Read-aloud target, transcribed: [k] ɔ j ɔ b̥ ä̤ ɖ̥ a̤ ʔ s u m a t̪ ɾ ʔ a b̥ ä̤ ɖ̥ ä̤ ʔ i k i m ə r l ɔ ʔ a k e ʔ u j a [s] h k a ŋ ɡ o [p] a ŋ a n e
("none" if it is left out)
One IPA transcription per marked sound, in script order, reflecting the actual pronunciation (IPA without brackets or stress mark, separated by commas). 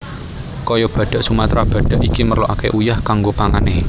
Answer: k, none, p